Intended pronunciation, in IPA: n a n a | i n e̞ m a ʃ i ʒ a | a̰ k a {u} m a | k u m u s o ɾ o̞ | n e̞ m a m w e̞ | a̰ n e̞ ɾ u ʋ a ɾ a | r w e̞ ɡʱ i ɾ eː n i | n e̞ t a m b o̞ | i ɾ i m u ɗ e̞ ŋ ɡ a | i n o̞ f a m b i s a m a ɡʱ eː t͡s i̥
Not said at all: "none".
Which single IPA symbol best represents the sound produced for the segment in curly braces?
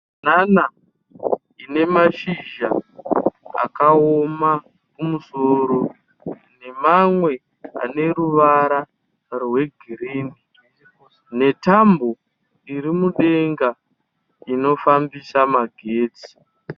o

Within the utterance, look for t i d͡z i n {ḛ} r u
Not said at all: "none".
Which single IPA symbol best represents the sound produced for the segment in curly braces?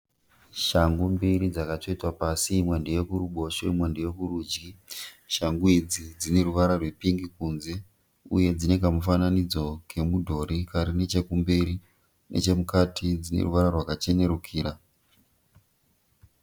ḛ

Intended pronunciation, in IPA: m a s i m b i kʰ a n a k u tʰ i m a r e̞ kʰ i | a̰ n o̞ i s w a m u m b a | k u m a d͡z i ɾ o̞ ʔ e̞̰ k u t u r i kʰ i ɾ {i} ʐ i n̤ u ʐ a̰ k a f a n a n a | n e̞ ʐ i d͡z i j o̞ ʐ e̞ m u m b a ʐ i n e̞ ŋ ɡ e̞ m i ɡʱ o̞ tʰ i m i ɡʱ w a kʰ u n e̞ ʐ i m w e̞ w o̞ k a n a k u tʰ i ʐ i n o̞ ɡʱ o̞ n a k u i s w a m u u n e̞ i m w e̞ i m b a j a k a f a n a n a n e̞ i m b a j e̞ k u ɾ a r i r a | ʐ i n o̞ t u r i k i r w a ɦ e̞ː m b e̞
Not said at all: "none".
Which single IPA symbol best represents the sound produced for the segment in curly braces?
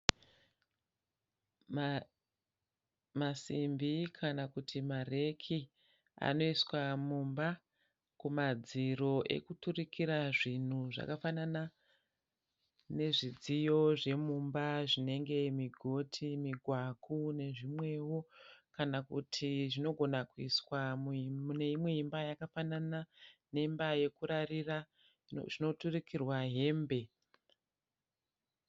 a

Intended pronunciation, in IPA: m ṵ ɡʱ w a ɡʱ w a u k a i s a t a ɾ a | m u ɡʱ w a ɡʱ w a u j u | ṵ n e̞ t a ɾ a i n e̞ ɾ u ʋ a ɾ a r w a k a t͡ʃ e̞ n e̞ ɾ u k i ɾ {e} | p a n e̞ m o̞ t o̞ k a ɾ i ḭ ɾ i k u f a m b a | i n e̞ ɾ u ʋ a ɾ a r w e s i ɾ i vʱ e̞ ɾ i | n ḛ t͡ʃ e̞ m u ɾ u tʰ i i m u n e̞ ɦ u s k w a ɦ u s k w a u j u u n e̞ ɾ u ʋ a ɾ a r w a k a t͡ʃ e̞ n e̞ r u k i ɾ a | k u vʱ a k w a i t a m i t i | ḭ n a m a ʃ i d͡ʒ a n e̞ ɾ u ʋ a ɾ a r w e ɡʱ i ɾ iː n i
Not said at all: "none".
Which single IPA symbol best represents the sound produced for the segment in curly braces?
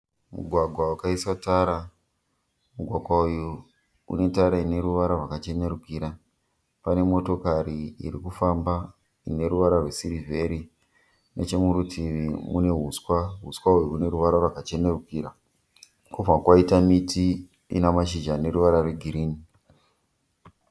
a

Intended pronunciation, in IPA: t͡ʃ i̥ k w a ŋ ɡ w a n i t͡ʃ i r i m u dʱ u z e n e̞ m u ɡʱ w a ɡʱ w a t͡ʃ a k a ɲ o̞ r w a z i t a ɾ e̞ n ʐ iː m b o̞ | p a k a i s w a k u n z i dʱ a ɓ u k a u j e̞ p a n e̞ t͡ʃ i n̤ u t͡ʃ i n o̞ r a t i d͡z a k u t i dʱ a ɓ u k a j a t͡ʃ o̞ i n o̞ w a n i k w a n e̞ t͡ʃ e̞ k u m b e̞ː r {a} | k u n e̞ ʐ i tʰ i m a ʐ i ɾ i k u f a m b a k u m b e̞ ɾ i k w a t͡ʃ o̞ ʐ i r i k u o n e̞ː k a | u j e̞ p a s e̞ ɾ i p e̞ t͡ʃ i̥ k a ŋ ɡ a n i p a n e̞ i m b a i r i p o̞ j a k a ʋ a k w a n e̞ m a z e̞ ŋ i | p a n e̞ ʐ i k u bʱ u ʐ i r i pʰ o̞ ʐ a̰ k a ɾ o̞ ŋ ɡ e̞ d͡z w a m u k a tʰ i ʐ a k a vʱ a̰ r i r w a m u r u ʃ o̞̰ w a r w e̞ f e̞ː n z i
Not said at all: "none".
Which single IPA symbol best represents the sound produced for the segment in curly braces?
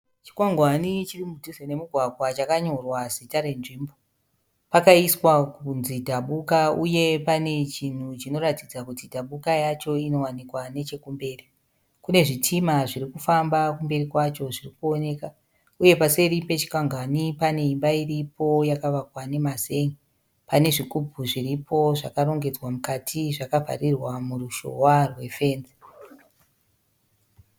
i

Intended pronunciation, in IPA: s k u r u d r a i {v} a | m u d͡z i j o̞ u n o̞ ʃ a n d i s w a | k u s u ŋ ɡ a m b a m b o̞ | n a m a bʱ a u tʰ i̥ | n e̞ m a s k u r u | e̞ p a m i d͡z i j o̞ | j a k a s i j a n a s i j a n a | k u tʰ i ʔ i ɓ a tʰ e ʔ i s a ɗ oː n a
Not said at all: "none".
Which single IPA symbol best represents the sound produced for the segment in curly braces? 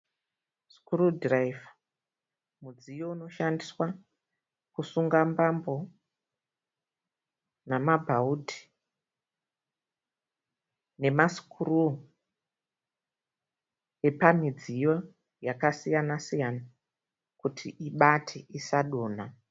v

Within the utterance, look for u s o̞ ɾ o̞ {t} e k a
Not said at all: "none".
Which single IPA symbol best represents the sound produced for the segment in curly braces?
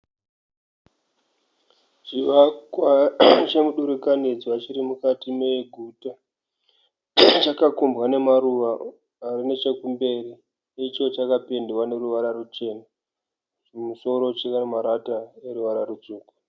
t͡ʃ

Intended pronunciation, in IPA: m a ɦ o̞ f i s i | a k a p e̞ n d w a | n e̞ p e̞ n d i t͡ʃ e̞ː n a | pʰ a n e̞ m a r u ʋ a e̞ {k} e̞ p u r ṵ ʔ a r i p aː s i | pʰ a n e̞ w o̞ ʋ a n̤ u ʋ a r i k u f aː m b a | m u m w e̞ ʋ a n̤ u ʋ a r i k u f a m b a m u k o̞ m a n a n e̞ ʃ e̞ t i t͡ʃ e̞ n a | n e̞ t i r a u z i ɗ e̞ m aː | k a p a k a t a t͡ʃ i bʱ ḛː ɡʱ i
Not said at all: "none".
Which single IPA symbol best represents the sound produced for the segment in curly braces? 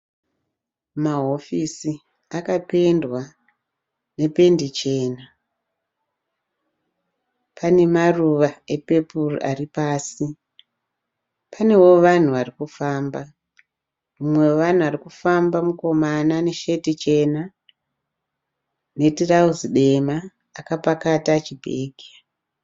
p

